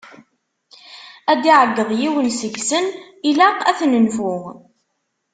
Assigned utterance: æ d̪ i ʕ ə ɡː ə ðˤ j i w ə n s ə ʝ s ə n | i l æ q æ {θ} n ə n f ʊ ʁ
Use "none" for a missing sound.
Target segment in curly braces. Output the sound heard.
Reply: θ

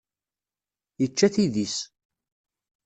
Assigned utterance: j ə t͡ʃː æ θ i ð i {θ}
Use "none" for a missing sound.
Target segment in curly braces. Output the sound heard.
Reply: s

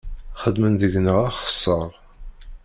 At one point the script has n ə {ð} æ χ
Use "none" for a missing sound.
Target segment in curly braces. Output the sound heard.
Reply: ʁ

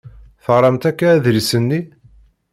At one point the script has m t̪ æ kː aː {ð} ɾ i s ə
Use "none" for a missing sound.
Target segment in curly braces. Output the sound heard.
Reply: ð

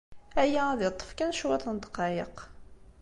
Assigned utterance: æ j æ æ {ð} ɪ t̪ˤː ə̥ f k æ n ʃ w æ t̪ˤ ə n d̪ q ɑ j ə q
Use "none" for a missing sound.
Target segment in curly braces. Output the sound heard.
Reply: ð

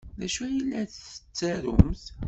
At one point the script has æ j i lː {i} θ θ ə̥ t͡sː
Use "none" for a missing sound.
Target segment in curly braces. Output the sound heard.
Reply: æ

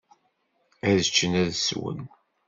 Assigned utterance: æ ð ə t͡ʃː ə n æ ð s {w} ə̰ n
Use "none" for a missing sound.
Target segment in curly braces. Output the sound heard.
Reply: w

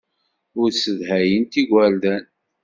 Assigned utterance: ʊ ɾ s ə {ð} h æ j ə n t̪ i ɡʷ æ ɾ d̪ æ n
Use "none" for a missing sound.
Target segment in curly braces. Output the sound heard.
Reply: ð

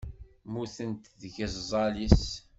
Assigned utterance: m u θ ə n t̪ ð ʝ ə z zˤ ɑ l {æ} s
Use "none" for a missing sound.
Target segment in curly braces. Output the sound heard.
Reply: i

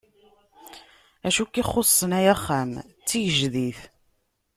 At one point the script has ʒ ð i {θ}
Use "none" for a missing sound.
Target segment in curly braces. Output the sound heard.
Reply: θ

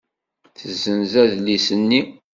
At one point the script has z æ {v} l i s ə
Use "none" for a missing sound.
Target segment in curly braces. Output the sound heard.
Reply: ð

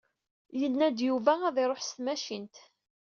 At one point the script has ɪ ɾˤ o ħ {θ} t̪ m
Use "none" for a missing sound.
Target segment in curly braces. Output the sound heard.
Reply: s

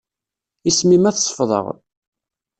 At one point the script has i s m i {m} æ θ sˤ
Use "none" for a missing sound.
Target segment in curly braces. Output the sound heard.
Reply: m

